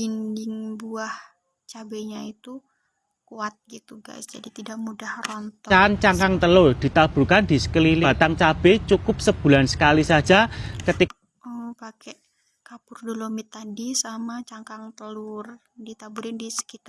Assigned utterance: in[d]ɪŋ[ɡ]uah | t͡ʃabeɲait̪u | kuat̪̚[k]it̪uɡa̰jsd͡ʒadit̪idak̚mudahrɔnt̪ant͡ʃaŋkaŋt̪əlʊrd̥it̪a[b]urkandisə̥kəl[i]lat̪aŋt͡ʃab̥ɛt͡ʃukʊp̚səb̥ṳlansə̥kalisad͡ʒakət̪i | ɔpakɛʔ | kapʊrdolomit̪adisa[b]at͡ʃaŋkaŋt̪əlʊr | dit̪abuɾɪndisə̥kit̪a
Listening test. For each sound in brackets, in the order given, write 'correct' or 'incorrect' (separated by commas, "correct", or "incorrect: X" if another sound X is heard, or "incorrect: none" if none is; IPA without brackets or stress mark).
correct, incorrect: b, incorrect: ɡ, correct, correct, incorrect: m